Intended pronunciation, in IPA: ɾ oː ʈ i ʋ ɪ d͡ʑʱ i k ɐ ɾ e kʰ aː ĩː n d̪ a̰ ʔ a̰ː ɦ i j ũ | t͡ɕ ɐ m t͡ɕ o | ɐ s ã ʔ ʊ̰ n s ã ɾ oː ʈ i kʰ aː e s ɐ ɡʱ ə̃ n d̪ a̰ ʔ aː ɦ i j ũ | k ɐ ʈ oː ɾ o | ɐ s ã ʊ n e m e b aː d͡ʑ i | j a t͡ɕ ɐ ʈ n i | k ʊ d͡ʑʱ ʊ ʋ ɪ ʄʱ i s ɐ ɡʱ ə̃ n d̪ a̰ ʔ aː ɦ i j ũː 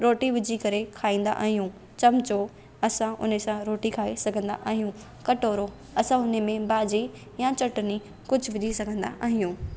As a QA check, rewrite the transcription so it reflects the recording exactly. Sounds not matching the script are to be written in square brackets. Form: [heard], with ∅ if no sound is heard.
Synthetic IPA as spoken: ɾ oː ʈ i ʋ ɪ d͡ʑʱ i k ɐ ɾ e kʰ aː ĩː n d̪ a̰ ʔ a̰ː ɦ i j ũ | t͡ɕ ɐ m t͡ɕ o | ɐ s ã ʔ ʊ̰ n s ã ɾ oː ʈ i kʰ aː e s ɐ ɡʱ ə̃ n d̪ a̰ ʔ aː ɦ i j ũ | k ɐ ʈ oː ɾ o | ɐ s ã ʊ n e m [ẽ] b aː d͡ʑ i | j a t͡ɕ ɐ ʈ n i | k ʊ d͡ʑʱ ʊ ʋ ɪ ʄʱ i s ɐ ɡʱ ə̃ n d̪ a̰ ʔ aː ɦ i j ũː